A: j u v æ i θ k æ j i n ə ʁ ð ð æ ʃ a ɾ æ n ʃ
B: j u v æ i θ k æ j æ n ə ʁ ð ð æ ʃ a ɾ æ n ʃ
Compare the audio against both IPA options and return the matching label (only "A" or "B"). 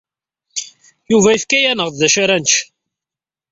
B